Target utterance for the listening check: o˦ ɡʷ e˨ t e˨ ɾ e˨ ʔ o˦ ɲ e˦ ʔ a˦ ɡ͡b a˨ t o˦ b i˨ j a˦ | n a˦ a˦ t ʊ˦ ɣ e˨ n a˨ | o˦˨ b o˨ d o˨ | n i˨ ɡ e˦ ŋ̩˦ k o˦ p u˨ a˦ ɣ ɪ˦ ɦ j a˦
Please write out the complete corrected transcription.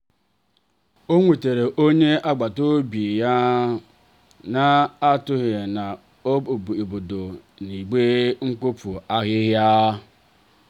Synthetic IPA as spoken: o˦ ŋʷ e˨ t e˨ ɾ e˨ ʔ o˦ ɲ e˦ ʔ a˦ ɡ͡b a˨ t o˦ b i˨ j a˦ | n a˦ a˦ t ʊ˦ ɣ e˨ n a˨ | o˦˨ b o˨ d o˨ | n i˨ ɡ͡b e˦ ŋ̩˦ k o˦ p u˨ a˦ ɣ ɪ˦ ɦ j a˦

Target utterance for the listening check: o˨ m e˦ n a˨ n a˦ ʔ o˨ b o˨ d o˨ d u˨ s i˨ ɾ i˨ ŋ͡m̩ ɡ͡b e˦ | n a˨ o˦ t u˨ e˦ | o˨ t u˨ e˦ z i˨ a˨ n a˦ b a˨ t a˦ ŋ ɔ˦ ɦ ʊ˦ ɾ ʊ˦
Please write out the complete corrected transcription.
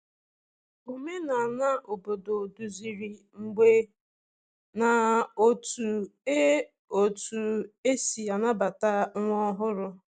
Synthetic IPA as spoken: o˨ m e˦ n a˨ n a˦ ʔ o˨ b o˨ d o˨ d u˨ z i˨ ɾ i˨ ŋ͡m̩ ɡ͡b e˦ | n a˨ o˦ t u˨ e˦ | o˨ t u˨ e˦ s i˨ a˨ n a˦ b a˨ t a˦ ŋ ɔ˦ ɦ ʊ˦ ɾ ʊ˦

